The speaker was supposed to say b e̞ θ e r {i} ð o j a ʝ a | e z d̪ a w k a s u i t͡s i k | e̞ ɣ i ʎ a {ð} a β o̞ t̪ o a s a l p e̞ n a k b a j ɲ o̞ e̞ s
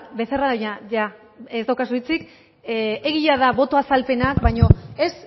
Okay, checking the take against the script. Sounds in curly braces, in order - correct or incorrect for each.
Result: incorrect: a, correct

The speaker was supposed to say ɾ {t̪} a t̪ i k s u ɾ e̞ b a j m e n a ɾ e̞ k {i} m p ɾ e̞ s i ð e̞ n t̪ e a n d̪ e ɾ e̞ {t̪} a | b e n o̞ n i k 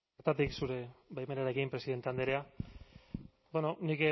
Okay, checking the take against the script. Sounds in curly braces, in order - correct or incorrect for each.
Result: correct, correct, incorrect: none

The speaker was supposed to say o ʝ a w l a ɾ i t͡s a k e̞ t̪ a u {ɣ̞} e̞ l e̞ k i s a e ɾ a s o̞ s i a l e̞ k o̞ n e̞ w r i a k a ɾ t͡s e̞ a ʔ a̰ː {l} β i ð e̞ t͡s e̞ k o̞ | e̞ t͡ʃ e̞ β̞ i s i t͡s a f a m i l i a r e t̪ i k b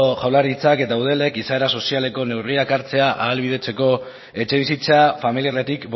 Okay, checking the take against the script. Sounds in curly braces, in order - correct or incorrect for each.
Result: incorrect: ð̞, correct

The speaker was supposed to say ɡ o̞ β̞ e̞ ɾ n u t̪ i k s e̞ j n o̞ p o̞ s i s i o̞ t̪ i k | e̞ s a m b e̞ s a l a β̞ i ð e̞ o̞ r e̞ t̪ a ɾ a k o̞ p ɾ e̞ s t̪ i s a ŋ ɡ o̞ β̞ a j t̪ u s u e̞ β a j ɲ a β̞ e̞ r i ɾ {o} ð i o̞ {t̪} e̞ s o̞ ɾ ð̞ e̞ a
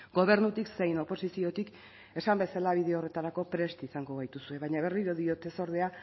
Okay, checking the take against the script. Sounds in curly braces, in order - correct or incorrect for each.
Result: correct, correct

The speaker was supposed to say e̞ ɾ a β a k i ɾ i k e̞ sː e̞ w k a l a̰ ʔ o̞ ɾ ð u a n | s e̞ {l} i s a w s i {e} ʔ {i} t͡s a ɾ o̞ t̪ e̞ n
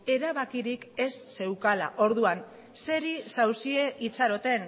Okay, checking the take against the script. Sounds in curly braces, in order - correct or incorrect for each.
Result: incorrect: ɾ, correct, correct

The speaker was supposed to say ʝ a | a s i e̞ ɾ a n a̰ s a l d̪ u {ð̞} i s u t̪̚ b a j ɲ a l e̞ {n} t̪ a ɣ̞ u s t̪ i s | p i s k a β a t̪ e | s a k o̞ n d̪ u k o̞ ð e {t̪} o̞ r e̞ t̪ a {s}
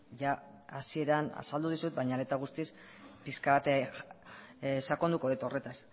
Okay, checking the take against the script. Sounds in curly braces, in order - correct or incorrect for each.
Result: correct, incorrect: none, correct, correct

